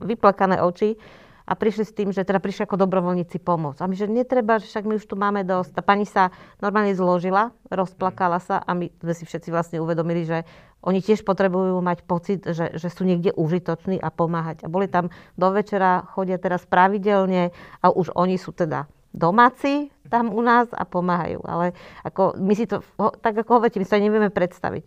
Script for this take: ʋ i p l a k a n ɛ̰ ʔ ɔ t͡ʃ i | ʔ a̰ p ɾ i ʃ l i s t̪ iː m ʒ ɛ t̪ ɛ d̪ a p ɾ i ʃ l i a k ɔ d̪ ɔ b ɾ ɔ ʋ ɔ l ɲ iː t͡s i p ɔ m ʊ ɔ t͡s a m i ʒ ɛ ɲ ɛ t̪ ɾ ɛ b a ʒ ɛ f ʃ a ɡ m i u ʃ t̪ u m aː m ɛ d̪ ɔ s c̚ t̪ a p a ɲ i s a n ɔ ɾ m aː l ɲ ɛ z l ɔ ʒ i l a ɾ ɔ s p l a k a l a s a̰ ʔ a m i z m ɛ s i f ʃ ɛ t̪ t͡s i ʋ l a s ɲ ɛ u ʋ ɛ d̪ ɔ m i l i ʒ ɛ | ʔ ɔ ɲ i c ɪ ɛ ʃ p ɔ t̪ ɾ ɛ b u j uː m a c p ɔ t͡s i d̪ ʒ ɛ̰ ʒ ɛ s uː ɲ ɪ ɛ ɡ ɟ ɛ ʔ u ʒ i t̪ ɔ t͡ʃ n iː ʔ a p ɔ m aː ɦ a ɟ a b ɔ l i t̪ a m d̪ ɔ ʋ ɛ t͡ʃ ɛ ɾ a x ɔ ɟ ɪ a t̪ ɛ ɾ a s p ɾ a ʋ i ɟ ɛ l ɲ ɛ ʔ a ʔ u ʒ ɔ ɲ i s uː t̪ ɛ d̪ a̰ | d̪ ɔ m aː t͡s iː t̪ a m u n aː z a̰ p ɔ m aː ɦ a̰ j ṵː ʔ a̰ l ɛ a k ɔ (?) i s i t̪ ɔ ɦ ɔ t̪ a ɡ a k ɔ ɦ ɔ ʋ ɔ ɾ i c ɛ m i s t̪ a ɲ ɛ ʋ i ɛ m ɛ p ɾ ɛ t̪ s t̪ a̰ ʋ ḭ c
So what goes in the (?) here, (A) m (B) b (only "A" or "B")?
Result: A